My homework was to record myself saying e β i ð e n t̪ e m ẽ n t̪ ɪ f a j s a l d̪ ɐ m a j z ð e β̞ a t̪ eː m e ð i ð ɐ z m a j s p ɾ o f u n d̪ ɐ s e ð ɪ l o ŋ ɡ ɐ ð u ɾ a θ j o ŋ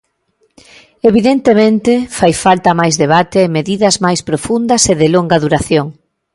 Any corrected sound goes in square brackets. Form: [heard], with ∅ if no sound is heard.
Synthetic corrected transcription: e β i ð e n t̪ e m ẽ n t̪ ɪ f a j [f] a l [t̪] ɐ m a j z ð e β̞ a t̪ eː m e ð i ð ɐ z m a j s p ɾ o f u n d̪ ɐ s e ð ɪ l o ŋ ɡ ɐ ð u ɾ a θ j o ŋ